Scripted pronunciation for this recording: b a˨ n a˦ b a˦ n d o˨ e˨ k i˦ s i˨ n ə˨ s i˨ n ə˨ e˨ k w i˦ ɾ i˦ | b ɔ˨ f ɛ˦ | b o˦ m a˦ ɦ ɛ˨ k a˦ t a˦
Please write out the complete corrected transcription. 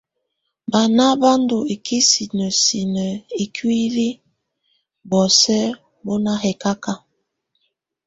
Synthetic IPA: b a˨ n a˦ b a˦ n d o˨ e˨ k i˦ s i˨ n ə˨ s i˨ n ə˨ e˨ k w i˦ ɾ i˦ | b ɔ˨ s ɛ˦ | b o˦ n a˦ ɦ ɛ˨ k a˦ k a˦